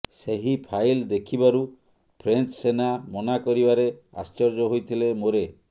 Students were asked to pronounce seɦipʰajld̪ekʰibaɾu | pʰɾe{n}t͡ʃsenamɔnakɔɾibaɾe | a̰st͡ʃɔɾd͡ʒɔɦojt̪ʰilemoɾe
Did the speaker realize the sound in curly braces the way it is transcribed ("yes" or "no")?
yes